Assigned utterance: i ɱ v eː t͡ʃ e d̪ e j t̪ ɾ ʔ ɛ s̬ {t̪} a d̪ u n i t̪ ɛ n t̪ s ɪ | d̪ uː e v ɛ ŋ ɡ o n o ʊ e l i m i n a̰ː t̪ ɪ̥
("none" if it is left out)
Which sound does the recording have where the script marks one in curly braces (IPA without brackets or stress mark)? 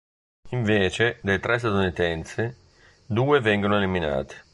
t̪